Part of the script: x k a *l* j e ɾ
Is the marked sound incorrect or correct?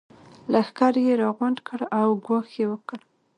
incorrect